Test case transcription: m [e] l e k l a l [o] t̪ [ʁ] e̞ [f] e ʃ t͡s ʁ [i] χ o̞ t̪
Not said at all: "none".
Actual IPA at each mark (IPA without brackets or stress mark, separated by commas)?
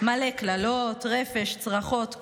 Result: a, o, ʁ, f, a